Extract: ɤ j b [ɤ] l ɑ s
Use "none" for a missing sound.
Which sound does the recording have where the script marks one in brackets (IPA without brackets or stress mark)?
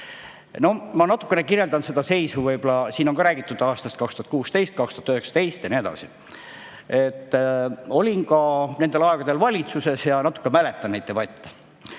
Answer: o